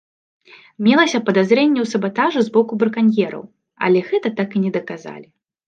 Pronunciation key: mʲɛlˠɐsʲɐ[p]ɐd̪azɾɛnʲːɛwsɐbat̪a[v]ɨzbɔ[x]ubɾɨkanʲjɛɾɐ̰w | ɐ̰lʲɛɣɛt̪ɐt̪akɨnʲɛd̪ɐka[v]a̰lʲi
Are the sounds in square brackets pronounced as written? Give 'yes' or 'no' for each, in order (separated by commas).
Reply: yes, no, no, no